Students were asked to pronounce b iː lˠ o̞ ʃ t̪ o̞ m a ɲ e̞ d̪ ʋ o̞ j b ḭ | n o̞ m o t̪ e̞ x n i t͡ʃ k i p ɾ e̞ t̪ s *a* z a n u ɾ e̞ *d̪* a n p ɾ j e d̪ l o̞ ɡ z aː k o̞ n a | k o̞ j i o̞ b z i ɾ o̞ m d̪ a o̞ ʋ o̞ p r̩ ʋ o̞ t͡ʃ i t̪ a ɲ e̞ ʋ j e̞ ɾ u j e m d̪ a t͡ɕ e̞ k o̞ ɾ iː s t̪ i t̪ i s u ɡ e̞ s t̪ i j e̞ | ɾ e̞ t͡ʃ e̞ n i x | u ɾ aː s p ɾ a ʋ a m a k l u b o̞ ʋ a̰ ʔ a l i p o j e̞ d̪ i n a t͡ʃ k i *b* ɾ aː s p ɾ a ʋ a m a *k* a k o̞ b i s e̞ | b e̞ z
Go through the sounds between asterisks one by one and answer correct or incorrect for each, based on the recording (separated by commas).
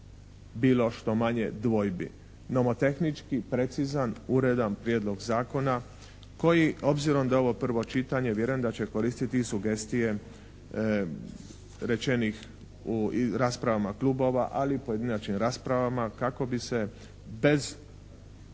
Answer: incorrect, correct, incorrect, correct